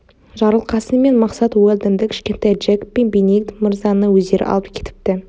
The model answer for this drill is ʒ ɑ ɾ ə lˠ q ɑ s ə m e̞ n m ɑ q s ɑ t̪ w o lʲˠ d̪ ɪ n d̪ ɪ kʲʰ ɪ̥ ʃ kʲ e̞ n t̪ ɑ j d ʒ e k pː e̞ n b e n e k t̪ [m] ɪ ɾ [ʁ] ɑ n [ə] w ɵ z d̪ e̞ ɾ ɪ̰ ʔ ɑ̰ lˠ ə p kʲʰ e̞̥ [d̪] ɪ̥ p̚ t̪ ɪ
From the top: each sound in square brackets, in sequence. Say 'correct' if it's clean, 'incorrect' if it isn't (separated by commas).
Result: correct, incorrect, correct, incorrect